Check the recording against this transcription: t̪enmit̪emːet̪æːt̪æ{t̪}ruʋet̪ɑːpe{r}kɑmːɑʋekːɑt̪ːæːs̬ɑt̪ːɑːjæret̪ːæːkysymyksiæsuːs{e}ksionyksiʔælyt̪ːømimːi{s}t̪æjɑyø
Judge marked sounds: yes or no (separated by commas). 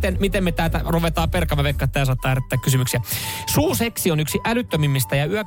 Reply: no, yes, yes, yes